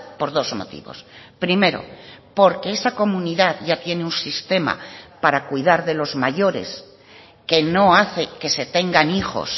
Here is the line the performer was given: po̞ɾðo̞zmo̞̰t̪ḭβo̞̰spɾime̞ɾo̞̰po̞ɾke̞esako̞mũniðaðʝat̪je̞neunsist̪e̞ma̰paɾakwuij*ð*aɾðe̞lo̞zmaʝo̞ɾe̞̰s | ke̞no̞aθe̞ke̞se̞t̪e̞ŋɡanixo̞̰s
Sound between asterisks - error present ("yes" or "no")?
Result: no